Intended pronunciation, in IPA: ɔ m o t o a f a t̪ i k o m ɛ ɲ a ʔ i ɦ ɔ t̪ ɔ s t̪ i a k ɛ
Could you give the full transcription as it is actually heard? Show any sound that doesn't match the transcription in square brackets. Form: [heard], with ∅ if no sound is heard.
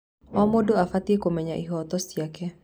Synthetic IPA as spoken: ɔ m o [d] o a f a t̪ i k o m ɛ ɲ a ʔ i ɦ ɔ t̪ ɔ s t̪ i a k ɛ